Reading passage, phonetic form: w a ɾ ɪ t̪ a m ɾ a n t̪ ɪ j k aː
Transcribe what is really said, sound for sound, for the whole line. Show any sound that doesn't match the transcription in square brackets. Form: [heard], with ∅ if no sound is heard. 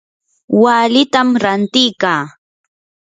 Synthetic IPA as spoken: w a [l] ɪ t̪ a m ɾ a n t̪ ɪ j k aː